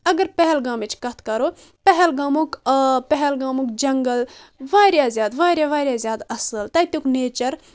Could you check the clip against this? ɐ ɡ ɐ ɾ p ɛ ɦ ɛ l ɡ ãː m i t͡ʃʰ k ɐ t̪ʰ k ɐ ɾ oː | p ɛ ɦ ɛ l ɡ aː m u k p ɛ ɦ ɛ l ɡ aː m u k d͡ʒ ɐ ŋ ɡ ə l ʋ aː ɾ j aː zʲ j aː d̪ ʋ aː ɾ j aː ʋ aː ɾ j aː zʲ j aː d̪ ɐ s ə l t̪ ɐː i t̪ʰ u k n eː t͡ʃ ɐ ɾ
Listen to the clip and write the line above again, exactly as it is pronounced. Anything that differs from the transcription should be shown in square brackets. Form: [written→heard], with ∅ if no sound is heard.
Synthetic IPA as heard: ɐ ɡ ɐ ɾ p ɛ ɦ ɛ l ɡ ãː m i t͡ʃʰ k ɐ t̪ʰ k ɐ ɾ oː | p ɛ ɦ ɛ l ɡ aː m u k p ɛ ɦ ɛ l ɡ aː m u k d͡ʒ ɐ ŋ ɡ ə l ʋ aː ɾ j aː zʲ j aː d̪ ʋ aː ɾ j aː ʋ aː ɾ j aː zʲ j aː d̪ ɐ s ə l t̪ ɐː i [t̪ʰ→t̪] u k n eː t͡ʃ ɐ ɾ